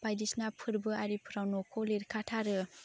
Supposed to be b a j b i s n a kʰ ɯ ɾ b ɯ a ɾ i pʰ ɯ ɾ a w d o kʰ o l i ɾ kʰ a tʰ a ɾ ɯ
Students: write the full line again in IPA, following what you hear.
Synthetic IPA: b a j d i s n a pʰ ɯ ɾ b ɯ a ɾ i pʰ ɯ ɾ a w n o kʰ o l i ɾ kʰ a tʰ a ɾ ɯ